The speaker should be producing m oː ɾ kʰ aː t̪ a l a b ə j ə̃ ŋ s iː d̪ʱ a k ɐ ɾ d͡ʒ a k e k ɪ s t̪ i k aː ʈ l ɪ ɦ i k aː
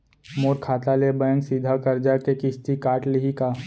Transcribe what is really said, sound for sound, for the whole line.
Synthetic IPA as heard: m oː ɾ kʰ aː t̪ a l e b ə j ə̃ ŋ s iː d̪ʱ a k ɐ ɾ d͡ʒ a k e k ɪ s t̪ i k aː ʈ l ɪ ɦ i k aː